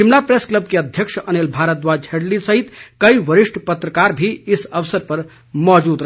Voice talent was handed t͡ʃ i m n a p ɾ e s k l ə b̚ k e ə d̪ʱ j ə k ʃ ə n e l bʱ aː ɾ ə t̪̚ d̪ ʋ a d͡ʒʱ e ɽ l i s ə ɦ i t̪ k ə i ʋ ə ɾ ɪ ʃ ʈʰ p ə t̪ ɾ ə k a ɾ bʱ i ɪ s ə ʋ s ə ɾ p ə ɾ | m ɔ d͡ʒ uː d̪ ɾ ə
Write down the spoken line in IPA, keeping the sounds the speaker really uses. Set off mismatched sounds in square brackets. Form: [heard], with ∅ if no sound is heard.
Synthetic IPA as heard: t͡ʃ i m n a p ɾ e s k l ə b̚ k e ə d̪ʱ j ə k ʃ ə n e l bʱ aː ɾ ə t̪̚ d̪ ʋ a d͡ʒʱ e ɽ l i s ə ɦ i t̪ k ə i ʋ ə ɾ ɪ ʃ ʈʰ p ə t̪ ɾ ə k a ɾ bʱ i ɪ s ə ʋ s ə ɾ p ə ɾ | m ɔ d͡ʒ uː d̪ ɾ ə